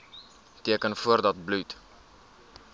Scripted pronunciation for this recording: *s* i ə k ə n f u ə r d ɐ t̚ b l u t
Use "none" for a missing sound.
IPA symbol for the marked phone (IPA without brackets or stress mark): t